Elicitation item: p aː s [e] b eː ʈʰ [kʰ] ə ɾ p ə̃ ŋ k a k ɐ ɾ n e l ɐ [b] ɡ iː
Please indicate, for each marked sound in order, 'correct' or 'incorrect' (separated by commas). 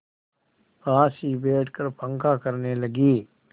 incorrect, incorrect, incorrect